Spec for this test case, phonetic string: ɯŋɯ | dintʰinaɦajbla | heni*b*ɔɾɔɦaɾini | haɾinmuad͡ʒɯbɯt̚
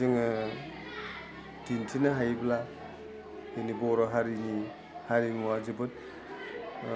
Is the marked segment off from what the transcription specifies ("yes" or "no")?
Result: no